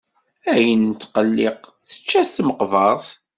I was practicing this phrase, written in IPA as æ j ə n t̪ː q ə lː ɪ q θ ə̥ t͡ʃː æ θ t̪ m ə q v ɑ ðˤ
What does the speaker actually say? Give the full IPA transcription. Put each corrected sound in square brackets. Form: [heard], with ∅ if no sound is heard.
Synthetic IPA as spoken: æ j ə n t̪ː q ə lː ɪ q θ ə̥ t͡ʃː æ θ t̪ m ə q v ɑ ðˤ